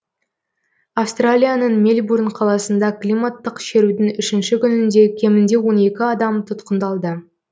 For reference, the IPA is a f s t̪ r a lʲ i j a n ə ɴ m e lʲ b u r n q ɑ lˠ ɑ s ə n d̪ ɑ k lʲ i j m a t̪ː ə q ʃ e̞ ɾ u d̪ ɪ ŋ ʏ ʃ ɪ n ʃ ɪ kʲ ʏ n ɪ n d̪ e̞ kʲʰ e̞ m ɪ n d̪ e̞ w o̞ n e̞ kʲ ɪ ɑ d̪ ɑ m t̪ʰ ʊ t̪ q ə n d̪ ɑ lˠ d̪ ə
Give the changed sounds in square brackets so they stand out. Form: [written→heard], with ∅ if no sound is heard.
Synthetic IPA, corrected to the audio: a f s t̪ r a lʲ i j a n ə ɴ m e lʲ b u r n [q→qʰ] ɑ lˠ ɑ s ə n d̪ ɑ k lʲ i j m a t̪ː ə q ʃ e̞ ɾ u d̪ ɪ ŋ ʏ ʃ ɪ n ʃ ɪ kʲ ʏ n ɪ n d̪ e̞ kʲʰ e̞ m ɪ n d̪ e̞ w o̞ n e̞ kʲ ɪ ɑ d̪ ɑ m t̪ʰ ʊ t̪ q ə n d̪ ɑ lˠ d̪ ə